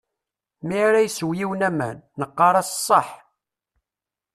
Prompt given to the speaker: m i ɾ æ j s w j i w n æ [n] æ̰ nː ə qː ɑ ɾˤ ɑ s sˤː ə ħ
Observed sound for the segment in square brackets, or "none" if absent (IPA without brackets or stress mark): m